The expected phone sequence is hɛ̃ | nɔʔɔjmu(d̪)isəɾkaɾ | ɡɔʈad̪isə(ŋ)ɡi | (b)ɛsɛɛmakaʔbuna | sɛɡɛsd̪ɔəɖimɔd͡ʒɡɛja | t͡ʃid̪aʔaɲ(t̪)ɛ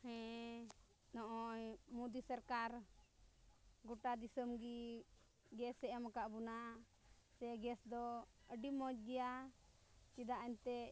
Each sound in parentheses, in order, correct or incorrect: correct, incorrect: m, incorrect: ɡ, correct

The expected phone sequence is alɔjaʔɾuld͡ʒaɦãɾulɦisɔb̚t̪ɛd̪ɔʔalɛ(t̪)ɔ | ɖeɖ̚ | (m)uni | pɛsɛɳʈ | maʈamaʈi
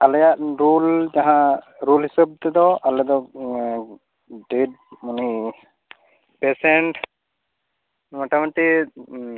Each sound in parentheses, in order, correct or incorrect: incorrect: d̪, correct

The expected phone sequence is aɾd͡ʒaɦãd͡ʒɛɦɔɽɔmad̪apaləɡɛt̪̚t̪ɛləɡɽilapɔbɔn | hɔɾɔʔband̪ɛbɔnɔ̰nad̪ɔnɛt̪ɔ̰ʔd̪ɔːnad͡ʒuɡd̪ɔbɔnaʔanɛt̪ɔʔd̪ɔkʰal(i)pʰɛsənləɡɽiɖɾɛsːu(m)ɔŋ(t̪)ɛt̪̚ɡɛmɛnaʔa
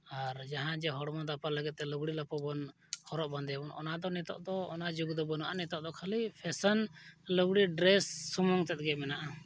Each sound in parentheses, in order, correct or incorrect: correct, correct, correct

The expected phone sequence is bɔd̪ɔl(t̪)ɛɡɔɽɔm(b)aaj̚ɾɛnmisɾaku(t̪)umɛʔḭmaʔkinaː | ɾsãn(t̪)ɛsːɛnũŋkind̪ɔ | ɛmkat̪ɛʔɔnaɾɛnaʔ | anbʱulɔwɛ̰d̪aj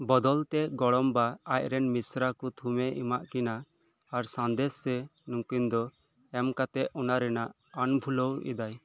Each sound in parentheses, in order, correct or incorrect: correct, correct, incorrect: t̪ʰ, incorrect: d̪

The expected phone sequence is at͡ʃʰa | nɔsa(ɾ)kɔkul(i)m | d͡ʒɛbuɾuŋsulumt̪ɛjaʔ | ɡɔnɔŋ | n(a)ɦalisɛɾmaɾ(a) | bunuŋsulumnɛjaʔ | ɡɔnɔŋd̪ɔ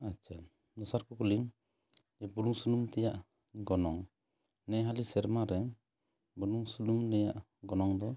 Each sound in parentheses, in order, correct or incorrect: correct, correct, incorrect: ɛ, incorrect: ɛ

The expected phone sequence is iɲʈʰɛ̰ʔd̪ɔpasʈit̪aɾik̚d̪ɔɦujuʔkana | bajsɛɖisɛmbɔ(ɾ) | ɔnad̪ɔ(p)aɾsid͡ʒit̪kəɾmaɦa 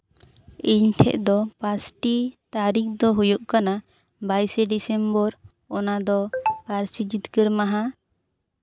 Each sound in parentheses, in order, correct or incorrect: correct, correct

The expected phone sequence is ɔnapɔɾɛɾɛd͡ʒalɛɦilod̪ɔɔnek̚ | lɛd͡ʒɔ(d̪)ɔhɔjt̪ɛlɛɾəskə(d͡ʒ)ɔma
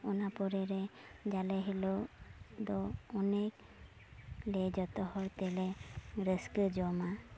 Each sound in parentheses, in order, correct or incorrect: incorrect: t̪, correct

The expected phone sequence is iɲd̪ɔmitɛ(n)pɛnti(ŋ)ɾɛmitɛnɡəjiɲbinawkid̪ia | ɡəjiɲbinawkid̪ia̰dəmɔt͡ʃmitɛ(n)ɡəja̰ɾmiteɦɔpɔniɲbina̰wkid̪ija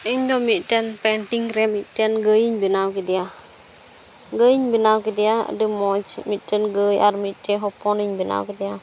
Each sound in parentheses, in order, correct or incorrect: correct, correct, correct

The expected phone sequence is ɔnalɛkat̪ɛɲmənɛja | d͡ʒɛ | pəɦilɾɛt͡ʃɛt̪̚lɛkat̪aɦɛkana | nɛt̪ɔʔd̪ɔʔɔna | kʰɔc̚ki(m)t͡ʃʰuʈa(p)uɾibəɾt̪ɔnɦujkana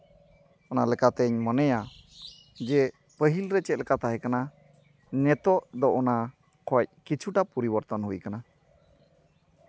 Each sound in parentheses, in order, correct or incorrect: incorrect: none, correct

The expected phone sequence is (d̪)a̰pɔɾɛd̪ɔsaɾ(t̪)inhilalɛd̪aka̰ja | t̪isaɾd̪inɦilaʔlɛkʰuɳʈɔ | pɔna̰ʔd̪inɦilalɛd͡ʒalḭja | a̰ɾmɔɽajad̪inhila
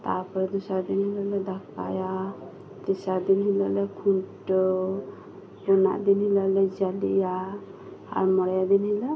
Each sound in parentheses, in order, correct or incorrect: incorrect: t̪, incorrect: d̪

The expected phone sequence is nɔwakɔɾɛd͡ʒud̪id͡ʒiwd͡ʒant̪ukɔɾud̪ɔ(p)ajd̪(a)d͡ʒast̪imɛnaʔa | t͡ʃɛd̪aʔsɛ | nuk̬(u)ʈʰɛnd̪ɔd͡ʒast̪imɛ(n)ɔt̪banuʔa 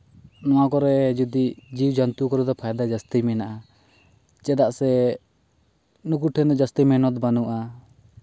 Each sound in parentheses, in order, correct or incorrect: incorrect: pʰ, correct, correct, correct

